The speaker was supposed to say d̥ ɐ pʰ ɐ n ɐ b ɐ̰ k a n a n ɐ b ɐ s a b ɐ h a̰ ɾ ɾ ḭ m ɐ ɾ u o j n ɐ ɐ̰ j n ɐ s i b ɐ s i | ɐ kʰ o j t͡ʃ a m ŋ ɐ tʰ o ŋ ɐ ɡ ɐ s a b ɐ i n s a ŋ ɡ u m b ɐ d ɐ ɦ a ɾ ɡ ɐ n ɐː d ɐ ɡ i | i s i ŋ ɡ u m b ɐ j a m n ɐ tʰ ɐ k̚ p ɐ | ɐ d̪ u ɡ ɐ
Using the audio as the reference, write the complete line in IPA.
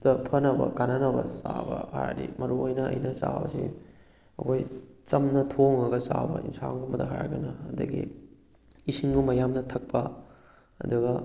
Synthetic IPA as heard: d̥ ɐ pʰ ɐ n ɐ b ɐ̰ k a n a n ɐ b ɐ s a b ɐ h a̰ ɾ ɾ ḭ m ɐ ɾ u o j n ɐ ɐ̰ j n ɐ s a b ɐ s i | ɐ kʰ o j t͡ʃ ɐ m n ɐ tʰ o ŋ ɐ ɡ ɐ s a b ɐ i n s a ŋ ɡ u m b ɐ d ɐ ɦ a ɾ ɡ ɐ n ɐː d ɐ ɡ i | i s i ŋ ɡ u m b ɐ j a m n ɐ tʰ ɐ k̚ p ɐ | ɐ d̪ u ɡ ɐ